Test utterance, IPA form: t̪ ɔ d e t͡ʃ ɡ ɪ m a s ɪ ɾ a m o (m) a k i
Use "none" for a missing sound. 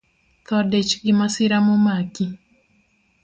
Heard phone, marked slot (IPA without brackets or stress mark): m